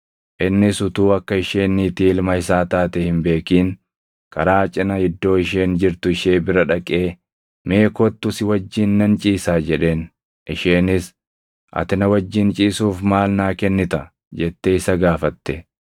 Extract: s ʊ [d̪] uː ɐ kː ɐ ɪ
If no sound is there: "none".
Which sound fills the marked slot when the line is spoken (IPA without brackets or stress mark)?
t̪